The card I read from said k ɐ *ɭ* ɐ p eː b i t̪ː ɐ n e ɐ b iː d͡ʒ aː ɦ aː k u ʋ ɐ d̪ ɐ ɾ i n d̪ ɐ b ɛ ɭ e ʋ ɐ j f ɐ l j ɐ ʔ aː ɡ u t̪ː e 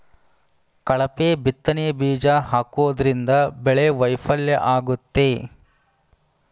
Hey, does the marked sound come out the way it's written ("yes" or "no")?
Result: yes